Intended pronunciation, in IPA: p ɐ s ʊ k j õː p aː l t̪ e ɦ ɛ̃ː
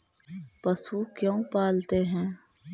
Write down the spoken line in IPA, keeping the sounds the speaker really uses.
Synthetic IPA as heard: p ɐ s u k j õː p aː l t̪ e ɦ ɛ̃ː